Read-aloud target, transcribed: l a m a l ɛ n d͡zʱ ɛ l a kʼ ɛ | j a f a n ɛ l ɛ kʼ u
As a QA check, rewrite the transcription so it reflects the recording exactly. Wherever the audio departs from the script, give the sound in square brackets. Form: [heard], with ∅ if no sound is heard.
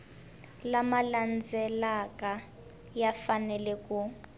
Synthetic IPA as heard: l a m a l [a] n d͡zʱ ɛ l a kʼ [a] | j a f a n ɛ l ɛ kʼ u